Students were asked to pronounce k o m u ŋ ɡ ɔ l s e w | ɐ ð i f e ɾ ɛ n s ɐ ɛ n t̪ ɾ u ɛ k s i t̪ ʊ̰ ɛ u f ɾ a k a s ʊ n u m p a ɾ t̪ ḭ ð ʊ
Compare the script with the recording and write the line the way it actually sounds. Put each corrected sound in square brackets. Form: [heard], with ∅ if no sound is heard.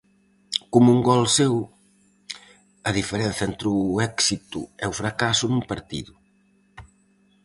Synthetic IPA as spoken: k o m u ŋ ɡ ɔ l s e w | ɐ ð i f e ɾ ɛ n [θ] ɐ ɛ n t̪ ɾ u ɛ k s i t̪ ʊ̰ ɛ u f ɾ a k a s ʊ n u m p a ɾ t̪ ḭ ð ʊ